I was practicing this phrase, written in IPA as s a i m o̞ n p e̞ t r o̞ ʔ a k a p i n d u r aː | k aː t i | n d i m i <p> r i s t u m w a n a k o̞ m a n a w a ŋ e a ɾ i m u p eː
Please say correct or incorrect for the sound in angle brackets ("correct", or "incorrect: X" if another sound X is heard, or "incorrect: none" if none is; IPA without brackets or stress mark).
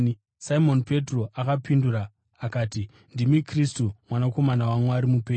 incorrect: k